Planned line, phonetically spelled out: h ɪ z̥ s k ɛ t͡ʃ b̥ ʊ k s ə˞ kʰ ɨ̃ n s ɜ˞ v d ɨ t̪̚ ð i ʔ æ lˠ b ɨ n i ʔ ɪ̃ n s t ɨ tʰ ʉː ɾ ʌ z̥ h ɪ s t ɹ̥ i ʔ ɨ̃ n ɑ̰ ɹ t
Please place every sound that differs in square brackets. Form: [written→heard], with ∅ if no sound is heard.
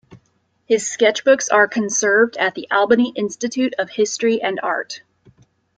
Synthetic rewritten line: h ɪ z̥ s k ɛ t͡ʃ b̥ ʊ k s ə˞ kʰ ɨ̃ n s ɜ˞ v d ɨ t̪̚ ð i ʔ æ lˠ b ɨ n i ʔ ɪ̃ n s t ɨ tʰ [ʉː→ʉ] ɾ ʌ [z̥→v̥] h ɪ s t ɹ̥ i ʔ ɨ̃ n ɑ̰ ɹ t